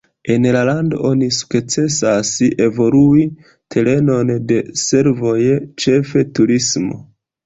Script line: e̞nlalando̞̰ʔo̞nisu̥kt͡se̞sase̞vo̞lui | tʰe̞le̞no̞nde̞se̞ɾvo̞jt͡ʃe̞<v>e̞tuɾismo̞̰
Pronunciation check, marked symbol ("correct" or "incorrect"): incorrect